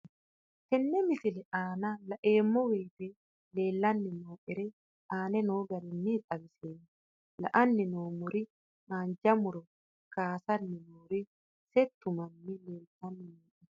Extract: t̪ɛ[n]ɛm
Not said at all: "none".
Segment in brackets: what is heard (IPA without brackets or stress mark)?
nː